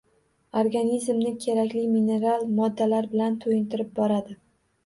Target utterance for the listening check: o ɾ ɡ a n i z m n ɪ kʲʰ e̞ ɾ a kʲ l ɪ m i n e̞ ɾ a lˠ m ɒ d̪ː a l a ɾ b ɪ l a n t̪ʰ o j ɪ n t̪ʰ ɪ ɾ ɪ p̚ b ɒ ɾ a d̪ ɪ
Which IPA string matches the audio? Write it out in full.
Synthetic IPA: o ɾ ɡ a n i z m n ɪ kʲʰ e̞ ɾ a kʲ l ɪ m i n e̞ ɾ a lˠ m ɒ d̪ː a l a ɾ b ɪ l a n t̪ʰ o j ɪ n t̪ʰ ɪ ɾ ɪ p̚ b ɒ ɾ a d̪ ɪ